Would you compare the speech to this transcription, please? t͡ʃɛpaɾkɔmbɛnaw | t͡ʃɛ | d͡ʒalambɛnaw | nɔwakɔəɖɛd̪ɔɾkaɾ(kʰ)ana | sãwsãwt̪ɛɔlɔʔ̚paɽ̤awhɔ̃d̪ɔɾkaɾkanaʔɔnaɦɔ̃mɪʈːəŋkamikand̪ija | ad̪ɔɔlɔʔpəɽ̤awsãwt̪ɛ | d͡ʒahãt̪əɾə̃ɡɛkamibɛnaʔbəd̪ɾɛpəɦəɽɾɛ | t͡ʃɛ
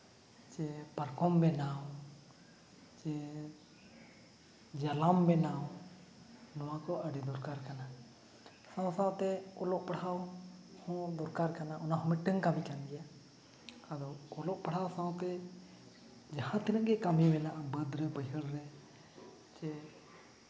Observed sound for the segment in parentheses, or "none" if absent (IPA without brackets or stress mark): k